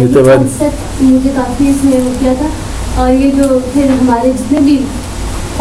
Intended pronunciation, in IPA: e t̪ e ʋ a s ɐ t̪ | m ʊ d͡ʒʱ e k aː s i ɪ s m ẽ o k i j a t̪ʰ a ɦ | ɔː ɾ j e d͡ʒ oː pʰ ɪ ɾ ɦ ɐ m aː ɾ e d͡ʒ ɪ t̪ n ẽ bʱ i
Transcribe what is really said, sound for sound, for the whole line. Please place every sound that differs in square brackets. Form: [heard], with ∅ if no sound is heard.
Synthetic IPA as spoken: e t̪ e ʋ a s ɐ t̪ | m ʊ d͡ʒʱ e k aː [f] i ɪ s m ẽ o k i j a t̪ʰ a [∅] | ɔː ɾ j e d͡ʒ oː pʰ ɪ ɾ ɦ ɐ m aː ɾ e d͡ʒ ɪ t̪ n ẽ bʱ i